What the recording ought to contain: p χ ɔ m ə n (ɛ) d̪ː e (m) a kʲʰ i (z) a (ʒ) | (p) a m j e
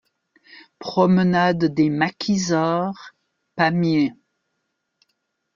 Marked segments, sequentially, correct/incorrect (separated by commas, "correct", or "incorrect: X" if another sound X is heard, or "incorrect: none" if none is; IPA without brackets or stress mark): incorrect: a, correct, correct, incorrect: ʁ, correct